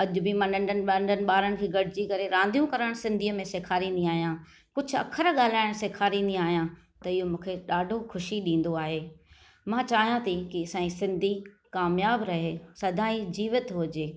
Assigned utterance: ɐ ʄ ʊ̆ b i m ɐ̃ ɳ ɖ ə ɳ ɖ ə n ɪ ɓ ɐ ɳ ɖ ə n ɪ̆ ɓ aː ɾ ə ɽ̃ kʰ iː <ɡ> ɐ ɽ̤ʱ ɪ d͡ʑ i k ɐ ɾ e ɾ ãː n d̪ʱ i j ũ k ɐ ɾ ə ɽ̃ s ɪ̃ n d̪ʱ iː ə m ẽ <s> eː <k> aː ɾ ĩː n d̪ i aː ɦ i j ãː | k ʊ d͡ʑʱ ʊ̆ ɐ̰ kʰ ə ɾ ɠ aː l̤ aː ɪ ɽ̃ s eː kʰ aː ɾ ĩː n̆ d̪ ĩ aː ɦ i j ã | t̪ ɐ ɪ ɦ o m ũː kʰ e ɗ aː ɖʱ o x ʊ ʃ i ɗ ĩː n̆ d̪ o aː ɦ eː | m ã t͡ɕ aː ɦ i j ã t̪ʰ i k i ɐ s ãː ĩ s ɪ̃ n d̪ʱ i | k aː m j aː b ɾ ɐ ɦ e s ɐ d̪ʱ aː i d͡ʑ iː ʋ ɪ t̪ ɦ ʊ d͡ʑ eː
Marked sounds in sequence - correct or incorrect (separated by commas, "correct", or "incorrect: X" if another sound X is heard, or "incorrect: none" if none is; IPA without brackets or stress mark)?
correct, correct, incorrect: kʰ